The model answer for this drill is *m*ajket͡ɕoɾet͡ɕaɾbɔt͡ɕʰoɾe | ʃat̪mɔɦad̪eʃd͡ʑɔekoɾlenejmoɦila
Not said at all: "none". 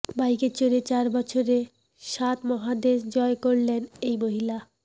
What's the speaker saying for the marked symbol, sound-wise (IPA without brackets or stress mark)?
b